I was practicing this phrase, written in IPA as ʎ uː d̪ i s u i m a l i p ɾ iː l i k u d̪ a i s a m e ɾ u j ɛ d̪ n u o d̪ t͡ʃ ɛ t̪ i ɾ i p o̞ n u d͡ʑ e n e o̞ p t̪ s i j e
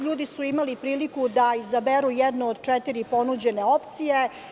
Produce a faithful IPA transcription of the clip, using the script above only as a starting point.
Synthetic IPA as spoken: ʎ uː d̪ i s u i m a l i p ɾ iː l i k u d̪ a i z a b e ɾ u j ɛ d̪ n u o d̪ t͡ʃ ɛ t̪ i ɾ i p o̞ n u d͡ʑ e n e o̞ p t̪ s i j e